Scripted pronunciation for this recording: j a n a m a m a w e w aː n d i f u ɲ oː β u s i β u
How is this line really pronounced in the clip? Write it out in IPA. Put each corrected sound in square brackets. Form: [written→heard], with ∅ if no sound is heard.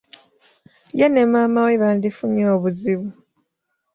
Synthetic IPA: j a n [a→e] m a m a w e [w→β] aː n d i f u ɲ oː β u [s→z] i β u